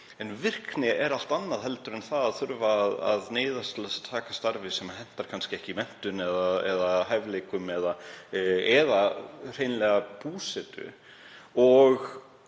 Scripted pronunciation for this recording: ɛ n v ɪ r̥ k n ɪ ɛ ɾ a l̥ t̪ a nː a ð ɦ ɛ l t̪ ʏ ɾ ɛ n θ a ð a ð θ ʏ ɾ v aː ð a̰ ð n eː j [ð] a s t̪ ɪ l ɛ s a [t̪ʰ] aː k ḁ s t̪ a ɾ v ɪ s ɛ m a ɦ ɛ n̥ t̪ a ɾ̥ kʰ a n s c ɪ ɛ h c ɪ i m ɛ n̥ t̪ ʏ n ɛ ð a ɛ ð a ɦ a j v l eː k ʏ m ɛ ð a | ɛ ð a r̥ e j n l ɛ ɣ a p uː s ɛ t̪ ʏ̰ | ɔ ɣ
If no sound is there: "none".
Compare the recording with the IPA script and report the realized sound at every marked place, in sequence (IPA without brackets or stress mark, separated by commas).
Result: ð, t̪ʰ